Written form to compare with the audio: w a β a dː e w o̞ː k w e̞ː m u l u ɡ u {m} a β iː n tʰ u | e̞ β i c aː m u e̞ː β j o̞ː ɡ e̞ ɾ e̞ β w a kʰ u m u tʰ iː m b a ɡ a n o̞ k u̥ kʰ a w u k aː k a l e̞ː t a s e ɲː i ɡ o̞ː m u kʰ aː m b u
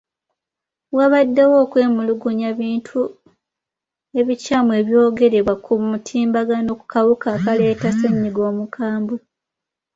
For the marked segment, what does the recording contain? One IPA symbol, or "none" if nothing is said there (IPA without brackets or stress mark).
ɲ